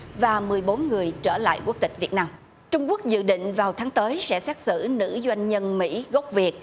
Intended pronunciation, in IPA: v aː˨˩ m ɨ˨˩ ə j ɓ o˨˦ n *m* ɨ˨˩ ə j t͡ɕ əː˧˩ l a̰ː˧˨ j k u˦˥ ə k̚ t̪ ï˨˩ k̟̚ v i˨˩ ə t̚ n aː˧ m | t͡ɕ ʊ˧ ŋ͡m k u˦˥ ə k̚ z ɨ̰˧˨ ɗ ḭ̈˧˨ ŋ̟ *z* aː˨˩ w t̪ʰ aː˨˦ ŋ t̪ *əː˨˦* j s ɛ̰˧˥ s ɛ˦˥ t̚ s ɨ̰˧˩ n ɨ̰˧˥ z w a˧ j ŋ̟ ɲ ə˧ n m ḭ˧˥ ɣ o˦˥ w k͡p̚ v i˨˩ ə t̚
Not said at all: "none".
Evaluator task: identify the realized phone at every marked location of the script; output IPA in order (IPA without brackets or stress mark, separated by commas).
ŋ, v, əː˨˦